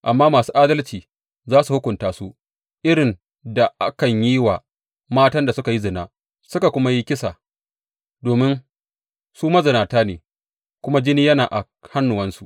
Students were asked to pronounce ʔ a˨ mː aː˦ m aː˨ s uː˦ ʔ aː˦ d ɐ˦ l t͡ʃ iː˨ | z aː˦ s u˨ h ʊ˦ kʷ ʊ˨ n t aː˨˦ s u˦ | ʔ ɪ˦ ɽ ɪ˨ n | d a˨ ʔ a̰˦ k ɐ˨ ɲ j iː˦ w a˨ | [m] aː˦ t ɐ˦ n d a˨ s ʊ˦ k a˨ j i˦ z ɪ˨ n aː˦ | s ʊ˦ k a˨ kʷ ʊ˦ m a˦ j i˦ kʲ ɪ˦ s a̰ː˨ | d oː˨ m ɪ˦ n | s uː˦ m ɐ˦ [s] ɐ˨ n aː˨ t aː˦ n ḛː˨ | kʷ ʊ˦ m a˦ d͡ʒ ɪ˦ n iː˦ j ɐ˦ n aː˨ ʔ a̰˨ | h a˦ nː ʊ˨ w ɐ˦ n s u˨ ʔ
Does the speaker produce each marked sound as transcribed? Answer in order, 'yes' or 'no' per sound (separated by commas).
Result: yes, no